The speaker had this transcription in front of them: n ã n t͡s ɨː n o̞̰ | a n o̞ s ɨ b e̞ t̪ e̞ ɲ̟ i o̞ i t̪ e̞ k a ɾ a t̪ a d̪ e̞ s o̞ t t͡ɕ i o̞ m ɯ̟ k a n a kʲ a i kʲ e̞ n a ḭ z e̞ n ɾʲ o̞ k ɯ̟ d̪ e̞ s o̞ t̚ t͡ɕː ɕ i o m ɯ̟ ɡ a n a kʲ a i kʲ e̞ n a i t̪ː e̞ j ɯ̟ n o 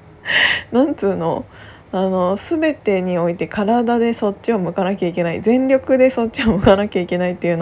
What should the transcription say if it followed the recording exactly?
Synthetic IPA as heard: n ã n t͡s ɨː n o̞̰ | a n o̞ s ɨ b e̞ t̪ e̞ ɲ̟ i o̞ i t̪ e̞ k a ɾ a d̪ a d̪ e̞ s o̞ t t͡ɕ i o̞ m ɯ̟ k a n a kʲ a i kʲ e̞ n a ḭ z ẽ̞ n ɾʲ o̞ k ɯ̟ d̪ e̞ s o̞ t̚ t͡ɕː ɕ i o m ɯ̟ k a n a kʲ a i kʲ e̞ n a i t̪ː e̞ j ɯ̟ n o